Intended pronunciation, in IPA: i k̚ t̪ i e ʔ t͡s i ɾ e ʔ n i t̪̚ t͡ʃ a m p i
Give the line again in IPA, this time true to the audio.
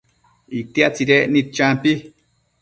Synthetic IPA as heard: i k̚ t̪ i a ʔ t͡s i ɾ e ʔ n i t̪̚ t͡ʃ a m p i